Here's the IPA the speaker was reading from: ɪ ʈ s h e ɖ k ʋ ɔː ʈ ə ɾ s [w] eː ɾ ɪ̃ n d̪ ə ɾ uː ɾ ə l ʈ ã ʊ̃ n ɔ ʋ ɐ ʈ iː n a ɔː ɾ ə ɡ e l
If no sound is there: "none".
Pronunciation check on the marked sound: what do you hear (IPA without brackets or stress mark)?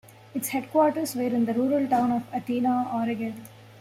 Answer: ʋ